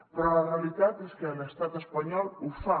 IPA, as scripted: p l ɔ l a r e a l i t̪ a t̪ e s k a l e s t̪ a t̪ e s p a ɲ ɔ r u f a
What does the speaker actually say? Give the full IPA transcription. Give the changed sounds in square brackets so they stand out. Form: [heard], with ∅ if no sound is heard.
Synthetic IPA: p [ɾ] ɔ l a r e a l i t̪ a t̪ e s k [e] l e s t̪ a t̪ e s p a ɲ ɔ [l] u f a